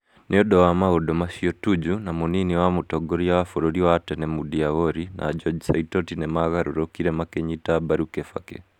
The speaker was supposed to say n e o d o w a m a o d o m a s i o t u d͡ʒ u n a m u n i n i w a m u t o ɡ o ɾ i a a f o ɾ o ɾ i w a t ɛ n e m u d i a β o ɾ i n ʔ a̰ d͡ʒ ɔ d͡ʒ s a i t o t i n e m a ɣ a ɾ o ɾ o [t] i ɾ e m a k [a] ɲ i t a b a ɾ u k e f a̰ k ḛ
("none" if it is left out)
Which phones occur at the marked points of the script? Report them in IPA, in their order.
k, e

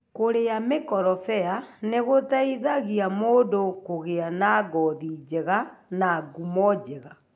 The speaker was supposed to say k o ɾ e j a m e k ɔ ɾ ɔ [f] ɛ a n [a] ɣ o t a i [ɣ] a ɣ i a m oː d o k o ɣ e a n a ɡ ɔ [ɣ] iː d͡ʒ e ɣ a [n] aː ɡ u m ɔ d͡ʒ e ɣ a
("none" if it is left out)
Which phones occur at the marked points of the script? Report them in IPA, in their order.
f, e, ð, ð, n

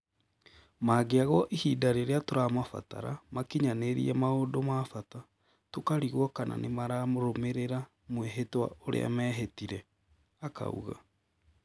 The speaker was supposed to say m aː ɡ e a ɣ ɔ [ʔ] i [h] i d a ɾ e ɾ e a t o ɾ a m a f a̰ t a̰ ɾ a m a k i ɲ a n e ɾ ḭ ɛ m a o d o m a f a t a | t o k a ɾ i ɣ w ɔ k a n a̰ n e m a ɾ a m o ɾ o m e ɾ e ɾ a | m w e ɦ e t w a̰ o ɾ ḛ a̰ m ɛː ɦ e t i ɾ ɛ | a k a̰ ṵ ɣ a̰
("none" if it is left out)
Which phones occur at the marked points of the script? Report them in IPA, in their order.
ʔ, h

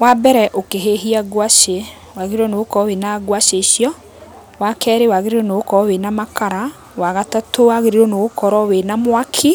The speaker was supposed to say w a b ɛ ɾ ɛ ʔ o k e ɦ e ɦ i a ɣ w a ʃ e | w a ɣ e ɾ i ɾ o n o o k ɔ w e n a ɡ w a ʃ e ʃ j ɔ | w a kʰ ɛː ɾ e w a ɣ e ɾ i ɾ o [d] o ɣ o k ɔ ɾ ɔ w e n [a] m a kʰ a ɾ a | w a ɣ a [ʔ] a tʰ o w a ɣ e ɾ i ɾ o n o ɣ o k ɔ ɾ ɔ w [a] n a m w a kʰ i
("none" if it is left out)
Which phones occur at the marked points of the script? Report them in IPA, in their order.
n, a, t, e

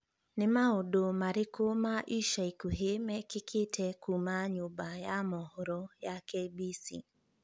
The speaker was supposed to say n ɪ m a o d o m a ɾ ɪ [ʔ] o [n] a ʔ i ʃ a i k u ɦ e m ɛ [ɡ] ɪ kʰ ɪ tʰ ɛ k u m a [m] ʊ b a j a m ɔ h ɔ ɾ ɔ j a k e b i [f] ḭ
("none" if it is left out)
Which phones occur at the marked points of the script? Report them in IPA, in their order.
k, m, k, ɲ, s

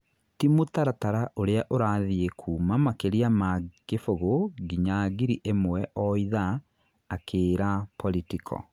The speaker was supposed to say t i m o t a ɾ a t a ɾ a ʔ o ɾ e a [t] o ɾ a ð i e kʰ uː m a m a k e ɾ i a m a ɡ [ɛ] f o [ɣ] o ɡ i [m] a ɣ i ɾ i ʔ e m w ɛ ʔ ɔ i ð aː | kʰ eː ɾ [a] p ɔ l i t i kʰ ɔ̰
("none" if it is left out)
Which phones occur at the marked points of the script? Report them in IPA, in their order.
ʔ, e, ɣ, ɲ, a

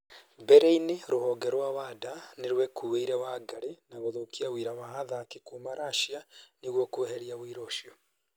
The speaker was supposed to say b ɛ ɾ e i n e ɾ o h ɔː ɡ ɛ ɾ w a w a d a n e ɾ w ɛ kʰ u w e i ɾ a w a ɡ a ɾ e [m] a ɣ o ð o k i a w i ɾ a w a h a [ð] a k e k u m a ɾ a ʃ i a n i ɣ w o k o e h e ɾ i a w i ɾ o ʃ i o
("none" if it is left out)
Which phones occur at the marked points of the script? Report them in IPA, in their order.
n, ð

